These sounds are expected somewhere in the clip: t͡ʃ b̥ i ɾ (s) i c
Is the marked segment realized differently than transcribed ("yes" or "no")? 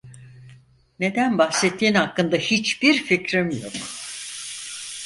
yes